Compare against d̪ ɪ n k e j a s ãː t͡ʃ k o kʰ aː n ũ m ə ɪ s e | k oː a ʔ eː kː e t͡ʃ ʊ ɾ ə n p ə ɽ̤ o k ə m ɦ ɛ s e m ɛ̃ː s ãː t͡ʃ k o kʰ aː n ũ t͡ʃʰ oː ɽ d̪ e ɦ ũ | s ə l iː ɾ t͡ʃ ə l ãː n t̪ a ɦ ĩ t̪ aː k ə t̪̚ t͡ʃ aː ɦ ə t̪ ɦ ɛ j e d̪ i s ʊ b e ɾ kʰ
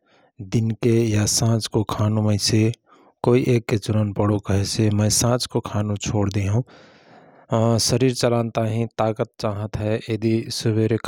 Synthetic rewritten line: d̪ ɪ n k e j a s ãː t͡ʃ k o kʰ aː n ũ m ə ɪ s e | k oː i ʔ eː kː e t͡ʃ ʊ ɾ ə n p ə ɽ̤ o k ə ɦ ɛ s e m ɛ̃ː s ãː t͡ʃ k o kʰ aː n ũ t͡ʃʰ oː ɽ d̪ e ɦ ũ | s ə ɾ iː ɾ t͡ʃ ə l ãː n t̪ a ɦ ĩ t̪ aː k ə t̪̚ t͡ʃ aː ɦ ə t̪ ɦ ɛ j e d̪ i s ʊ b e ɾ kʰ